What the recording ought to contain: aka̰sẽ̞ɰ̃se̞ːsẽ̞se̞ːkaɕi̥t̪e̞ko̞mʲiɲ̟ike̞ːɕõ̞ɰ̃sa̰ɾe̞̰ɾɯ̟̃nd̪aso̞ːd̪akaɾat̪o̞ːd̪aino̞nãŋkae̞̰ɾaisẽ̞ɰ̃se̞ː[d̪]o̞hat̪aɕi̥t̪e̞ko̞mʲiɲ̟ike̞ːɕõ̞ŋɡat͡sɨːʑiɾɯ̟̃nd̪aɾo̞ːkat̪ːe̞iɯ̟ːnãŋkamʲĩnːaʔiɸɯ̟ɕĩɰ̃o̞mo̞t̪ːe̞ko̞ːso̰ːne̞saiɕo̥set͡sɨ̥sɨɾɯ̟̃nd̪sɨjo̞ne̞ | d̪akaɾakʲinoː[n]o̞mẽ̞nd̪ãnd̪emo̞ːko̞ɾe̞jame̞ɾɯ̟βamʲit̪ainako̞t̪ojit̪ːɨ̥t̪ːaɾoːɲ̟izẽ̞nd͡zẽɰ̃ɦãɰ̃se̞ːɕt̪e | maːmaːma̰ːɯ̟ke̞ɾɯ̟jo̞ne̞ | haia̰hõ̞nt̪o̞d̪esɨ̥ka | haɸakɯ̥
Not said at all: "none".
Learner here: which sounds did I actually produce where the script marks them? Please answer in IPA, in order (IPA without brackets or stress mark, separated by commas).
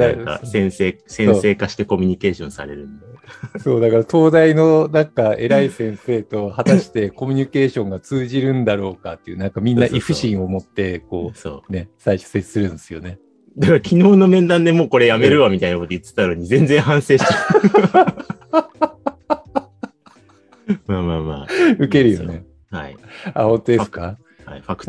t̪, n